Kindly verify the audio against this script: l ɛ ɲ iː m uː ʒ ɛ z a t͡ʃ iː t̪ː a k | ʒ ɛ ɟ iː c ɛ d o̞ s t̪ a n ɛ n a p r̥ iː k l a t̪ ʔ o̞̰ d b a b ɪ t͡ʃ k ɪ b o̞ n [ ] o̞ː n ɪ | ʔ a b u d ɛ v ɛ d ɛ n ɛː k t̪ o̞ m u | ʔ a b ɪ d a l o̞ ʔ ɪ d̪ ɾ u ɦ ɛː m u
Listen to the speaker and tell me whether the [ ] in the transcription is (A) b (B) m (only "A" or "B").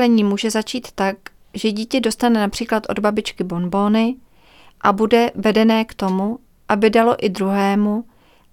A